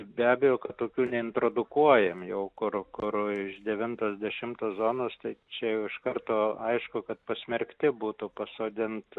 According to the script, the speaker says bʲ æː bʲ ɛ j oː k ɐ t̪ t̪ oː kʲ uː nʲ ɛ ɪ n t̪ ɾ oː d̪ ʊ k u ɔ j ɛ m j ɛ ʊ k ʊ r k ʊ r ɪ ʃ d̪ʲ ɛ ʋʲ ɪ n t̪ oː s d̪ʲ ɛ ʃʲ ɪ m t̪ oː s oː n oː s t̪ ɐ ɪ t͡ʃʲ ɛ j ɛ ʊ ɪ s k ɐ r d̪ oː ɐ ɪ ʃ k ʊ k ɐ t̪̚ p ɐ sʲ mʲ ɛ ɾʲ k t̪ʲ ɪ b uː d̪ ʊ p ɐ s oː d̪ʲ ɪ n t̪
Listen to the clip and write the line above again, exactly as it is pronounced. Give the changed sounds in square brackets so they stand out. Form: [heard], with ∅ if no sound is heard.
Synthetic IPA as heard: bʲ æː bʲ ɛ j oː k ɐ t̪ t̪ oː kʲ uː nʲ ɛ ɪ n t̪ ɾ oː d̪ ʊ k u ɔ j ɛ m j ɛ ʊ k ʊ r k ʊ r ɪ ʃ d̪ʲ ɛ ʋʲ ɪ n t̪ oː s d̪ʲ ɛ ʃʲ ɪ m t̪ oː [z] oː n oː s t̪ ɐ ɪ t͡ʃʲ ɛ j ɛ ʊ ɪ [ʃ] k ɐ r [t̪] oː ɐ ɪ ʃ k ʊ k ɐ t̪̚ p ɐ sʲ mʲ ɛ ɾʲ k t̪ʲ ɪ b uː [t̪] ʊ p ɐ s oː d̪ʲ ɪ n t̪